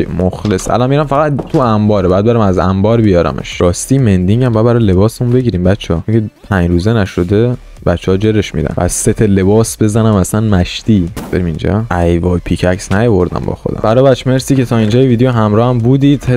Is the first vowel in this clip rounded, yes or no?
yes